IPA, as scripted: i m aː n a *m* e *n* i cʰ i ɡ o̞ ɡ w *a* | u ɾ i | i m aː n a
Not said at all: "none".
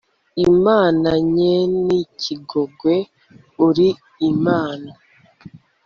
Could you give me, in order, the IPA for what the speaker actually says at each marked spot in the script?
ɲ, n, e

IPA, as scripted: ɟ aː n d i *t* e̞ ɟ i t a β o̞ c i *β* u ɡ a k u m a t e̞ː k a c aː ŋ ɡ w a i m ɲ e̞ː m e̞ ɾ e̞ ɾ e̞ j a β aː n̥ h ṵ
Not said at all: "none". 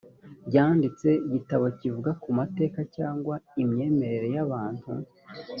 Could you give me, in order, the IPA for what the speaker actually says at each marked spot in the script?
t͡s, v

